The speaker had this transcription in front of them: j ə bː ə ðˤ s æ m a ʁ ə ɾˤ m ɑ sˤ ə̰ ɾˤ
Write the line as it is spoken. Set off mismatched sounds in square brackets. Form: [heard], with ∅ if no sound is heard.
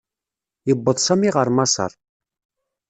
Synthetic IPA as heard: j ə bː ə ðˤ s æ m [i] ʁ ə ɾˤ m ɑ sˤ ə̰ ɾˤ